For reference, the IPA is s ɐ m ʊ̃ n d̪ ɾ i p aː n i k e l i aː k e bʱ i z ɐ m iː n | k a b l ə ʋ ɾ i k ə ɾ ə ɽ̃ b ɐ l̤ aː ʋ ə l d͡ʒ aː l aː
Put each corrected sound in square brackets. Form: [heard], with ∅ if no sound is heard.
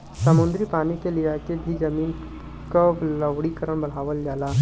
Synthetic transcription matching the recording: s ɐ m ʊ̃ n d̪ ɾ i p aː n i k e l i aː k e bʱ i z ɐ m iː n | k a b l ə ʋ [ɽ] i k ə ɾ ə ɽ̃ b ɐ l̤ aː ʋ ə l d͡ʒ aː l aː